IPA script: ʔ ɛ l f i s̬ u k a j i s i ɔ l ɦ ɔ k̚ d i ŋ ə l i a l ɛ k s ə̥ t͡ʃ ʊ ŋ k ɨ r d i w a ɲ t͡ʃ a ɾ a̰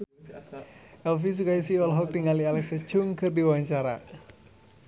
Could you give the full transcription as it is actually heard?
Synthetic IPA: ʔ ɛ l f i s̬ u k a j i s i ɔ l ɦ ɔ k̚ d i ŋ a l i a l ɛ k s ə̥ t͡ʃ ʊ ŋ k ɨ r d i w a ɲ t͡ʃ a ɾ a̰